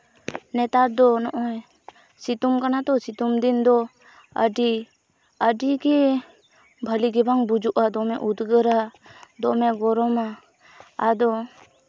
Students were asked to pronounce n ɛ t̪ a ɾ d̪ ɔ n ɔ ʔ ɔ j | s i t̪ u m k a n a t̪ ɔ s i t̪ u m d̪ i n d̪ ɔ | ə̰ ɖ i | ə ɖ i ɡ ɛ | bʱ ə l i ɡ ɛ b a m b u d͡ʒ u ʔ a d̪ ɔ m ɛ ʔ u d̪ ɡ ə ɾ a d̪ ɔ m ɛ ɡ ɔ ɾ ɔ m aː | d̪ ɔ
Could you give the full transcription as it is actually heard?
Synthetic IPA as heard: n ɛ t̪ a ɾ d̪ ɔ n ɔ ʔ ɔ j | s i t̪ u m k a n a t̪ ɔ s i t̪ u m d̪ i n d̪ ɔ | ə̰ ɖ i | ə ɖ i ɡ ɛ | bʱ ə l i ɡ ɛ b a ŋ b u d͡ʒ u ʔ a d̪ ɔ m ɛ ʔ u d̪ ɡ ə ɾ a d̪ ɔ m ɛ ɡ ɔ ɾ ɔ m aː | d̪ ɔ